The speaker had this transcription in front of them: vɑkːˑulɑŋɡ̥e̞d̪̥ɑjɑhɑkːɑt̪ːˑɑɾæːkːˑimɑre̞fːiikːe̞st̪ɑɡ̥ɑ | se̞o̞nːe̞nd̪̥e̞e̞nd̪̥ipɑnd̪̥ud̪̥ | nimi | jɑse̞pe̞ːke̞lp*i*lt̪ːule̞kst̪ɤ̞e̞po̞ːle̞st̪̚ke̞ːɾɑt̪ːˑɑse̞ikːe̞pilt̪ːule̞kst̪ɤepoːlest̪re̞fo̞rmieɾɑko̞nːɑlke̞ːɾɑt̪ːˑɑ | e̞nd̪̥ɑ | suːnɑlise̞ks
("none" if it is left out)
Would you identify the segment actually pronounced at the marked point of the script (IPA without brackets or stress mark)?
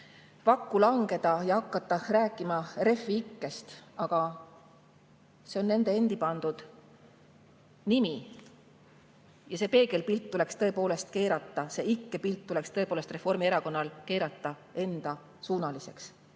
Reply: i